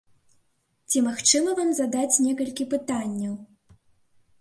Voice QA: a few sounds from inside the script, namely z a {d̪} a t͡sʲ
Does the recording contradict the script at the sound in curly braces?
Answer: no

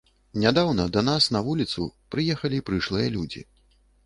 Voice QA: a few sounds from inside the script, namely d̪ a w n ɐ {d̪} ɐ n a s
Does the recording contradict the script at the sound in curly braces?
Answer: no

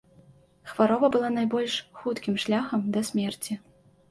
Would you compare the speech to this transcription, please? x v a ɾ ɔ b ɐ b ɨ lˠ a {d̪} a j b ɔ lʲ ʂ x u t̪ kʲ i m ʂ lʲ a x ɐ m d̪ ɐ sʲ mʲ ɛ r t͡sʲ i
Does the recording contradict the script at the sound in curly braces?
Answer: yes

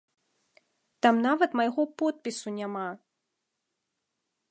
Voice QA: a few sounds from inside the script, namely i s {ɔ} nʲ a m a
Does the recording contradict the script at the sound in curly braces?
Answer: yes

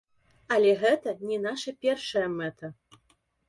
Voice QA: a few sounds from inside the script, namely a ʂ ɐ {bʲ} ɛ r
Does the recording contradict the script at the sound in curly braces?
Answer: yes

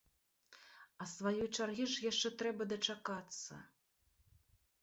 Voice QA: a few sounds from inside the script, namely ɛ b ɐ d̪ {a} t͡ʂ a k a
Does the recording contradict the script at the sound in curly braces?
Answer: yes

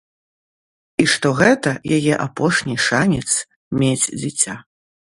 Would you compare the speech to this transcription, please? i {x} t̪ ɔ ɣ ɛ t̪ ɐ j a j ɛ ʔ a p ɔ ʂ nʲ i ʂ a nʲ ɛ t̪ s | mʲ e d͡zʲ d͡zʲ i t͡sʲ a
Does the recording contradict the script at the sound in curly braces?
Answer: yes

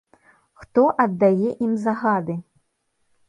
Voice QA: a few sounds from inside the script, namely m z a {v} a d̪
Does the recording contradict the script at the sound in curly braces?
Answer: yes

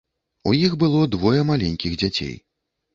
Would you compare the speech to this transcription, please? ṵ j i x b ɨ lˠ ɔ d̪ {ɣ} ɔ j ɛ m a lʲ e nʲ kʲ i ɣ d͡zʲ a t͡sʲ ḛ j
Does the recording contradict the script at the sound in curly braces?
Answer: yes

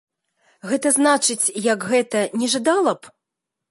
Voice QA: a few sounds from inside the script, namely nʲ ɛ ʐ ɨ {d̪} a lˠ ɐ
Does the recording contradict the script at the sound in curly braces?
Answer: no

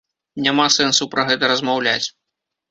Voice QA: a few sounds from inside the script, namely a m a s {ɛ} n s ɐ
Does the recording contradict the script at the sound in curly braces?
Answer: no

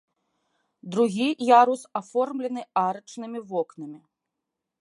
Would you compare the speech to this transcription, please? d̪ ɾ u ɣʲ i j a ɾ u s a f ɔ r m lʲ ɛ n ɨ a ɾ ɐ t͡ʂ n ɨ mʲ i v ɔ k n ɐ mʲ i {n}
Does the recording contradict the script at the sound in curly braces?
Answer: yes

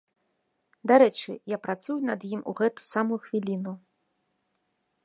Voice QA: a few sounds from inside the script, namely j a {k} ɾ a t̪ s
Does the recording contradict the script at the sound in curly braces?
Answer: yes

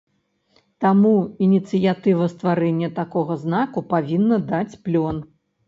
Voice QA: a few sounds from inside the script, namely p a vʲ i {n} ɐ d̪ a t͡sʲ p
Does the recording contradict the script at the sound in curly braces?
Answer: yes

